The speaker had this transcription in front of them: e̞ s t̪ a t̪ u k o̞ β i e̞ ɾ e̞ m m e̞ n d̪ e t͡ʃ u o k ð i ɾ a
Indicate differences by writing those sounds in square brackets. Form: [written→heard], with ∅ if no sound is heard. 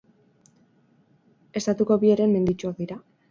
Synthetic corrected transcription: e̞ s t̪ a t̪ u k o̞ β i e̞ ɾ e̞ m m e̞ n d̪ [e→i] t͡ʃ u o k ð i ɾ a